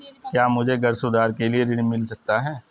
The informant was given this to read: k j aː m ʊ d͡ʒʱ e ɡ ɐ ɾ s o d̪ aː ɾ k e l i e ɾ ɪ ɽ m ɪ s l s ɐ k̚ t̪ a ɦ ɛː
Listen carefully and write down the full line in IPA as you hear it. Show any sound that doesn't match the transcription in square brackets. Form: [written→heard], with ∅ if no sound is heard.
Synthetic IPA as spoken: k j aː m ʊ d͡ʒʱ e ɡ ɐ ɾ s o d̪ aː ɾ k e l i e ɾ ɪ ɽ m ɪ [s→∅] l s ɐ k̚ t̪ a ɦ ɛː